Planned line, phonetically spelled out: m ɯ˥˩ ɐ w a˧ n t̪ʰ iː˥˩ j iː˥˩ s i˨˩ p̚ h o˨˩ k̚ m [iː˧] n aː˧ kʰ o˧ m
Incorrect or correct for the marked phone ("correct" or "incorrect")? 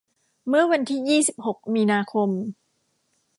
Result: correct